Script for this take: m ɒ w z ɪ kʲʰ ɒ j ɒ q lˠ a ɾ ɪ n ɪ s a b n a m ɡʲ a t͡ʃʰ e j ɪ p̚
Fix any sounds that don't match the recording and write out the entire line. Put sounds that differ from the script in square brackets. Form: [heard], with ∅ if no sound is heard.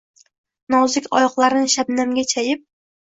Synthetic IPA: [n] ɒ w z ɪ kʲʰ ɒ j ɒ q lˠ a ɾ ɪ n ɪ [ʃ] a b n a m ɡʲ a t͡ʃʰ [a] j ɪ p̚